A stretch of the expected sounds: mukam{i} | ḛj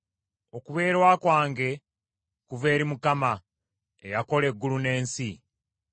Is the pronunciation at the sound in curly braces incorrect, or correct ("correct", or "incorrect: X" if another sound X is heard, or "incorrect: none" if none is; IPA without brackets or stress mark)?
incorrect: a